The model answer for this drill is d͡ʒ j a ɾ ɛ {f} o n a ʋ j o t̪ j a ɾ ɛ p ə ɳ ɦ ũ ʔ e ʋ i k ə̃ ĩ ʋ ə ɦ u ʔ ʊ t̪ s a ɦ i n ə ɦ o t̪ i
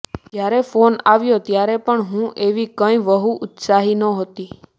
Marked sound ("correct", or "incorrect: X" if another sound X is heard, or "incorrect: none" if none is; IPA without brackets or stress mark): correct